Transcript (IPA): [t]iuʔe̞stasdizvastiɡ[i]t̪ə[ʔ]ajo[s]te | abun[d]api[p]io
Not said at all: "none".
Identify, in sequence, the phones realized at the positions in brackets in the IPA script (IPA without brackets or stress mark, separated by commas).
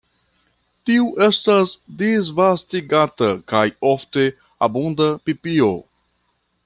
t, a, k, f, d, p